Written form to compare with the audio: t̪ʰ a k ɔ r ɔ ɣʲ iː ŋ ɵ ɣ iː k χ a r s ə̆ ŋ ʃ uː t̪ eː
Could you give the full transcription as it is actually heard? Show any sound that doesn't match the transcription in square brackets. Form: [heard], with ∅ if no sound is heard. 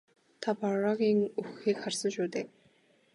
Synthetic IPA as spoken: t̪ʰ a [p] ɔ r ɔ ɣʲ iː ŋ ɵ [x] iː k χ a r s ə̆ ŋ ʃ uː t̪ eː